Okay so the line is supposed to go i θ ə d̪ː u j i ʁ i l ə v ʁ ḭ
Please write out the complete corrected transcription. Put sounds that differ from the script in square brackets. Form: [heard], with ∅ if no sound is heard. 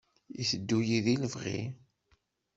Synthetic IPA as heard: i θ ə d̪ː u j i [ð] i l ə v ʁ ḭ